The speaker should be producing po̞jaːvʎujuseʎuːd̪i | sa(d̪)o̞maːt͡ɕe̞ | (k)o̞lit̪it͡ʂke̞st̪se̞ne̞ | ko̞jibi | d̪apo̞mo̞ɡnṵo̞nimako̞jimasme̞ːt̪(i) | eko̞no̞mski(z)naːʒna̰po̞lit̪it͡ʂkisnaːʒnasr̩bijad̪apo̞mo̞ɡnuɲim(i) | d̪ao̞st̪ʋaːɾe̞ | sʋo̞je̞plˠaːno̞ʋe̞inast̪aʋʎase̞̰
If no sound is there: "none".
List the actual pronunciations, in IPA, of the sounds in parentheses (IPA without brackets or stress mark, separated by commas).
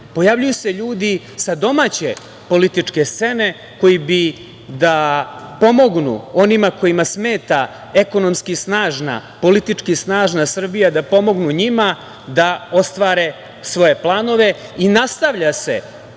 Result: d̪, p, a, s, a